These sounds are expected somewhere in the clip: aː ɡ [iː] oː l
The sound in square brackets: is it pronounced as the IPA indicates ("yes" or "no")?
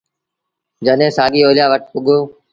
yes